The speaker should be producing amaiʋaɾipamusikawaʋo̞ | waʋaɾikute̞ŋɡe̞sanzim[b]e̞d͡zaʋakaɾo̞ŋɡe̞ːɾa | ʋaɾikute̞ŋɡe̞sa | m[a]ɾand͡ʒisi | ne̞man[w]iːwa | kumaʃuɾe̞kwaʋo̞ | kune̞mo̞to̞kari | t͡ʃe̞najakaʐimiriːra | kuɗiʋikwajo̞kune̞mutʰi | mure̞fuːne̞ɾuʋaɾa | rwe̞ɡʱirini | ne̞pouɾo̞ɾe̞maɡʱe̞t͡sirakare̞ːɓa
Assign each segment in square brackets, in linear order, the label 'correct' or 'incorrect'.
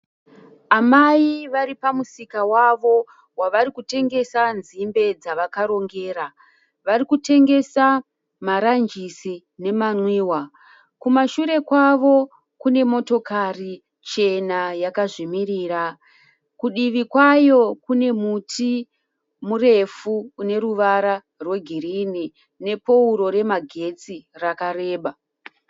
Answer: correct, correct, correct

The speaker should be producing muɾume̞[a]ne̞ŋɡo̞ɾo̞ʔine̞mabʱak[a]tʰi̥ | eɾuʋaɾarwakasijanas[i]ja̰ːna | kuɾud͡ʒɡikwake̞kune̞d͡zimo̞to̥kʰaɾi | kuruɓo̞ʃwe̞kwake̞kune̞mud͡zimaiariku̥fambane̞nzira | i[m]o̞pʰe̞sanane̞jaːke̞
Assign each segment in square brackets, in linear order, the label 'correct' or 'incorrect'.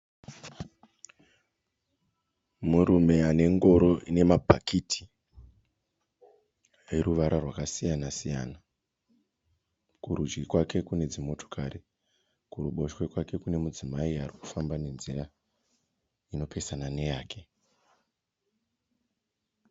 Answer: correct, incorrect, correct, incorrect

